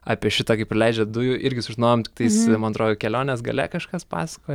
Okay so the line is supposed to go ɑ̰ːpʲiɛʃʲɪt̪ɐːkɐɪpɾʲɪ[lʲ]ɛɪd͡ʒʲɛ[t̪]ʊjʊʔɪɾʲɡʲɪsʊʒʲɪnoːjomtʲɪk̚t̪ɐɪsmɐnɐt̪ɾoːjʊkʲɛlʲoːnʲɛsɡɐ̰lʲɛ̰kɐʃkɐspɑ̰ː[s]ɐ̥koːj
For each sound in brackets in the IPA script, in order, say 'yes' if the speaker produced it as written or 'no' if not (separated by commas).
yes, no, yes